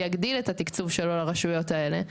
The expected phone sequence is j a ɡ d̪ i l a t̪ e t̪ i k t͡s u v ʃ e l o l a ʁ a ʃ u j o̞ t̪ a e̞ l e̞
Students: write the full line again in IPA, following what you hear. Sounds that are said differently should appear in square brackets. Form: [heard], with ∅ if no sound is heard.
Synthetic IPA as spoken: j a ɡ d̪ i l [e] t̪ [a] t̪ i k t͡s u v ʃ e l o l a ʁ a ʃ u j o̞ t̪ a e̞ l e̞